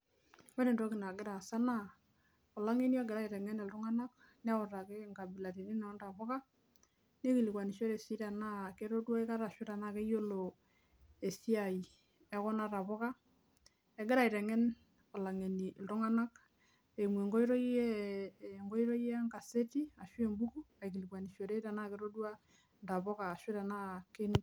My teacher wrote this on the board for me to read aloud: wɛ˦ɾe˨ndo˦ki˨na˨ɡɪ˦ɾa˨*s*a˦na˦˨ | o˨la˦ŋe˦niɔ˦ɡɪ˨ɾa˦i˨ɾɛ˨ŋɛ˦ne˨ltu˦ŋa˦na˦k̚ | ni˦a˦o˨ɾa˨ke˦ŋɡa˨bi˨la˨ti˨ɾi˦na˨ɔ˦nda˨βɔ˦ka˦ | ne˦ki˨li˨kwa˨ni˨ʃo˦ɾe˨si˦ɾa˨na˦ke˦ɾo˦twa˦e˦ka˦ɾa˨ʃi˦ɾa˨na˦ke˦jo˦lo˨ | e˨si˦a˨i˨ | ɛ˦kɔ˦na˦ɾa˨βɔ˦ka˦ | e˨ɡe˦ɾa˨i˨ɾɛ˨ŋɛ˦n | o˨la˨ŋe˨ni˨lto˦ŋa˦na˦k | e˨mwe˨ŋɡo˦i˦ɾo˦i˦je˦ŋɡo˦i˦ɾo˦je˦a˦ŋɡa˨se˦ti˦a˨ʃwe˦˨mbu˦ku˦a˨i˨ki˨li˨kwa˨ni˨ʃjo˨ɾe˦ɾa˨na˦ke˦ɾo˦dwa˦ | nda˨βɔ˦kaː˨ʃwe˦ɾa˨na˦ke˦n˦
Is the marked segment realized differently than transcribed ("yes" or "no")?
no